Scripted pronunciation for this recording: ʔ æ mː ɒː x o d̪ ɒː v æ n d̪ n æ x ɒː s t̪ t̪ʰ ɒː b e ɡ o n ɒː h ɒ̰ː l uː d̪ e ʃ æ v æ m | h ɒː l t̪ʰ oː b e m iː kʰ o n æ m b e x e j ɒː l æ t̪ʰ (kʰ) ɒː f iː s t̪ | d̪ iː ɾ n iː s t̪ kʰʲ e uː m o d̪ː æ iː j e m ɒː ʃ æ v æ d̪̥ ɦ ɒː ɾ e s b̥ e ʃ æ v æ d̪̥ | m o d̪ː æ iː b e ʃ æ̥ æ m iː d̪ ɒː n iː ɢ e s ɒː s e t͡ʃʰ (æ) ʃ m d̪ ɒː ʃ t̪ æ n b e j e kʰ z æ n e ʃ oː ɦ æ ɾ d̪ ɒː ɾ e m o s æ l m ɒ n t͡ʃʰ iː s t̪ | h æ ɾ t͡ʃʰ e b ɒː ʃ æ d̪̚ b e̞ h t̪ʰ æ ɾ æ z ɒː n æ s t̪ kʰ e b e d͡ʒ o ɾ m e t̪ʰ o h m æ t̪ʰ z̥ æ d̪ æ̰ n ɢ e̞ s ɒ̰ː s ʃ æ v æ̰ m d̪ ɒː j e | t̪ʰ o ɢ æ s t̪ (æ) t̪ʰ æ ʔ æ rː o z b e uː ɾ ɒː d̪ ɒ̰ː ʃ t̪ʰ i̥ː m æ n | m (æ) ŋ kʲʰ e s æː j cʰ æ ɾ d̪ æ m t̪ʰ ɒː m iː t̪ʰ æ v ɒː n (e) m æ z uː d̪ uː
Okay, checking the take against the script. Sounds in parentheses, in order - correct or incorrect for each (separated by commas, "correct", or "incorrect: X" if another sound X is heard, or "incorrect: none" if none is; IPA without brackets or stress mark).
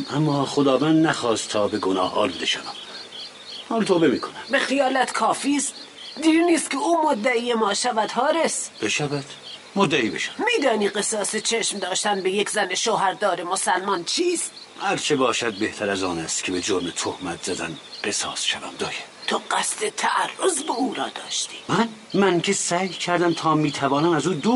correct, incorrect: e, incorrect: e, correct, incorrect: æ